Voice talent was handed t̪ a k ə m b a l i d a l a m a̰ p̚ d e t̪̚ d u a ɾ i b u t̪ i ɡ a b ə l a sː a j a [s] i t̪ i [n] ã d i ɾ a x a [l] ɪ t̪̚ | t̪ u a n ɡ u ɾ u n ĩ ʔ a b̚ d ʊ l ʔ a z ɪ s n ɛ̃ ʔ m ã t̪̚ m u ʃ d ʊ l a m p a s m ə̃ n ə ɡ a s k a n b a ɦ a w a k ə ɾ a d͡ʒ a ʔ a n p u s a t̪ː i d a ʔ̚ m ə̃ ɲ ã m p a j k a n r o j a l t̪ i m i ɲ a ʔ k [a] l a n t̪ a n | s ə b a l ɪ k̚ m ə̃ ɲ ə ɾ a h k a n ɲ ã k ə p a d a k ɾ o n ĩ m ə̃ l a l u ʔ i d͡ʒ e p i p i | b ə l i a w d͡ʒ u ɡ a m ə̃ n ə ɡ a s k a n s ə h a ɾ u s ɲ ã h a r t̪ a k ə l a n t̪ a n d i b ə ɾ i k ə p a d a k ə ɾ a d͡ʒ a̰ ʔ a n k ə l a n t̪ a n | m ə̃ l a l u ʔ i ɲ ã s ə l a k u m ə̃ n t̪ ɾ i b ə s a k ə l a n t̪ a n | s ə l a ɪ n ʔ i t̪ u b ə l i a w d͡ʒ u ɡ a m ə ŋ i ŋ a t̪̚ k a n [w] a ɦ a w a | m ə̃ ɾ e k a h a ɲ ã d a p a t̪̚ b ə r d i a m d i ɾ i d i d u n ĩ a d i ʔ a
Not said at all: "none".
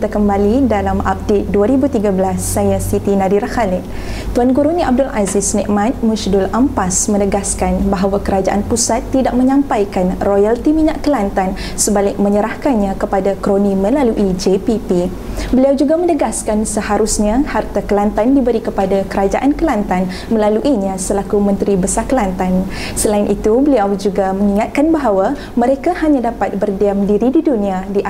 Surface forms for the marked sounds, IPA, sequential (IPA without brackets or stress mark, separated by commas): s, n, l, ə, b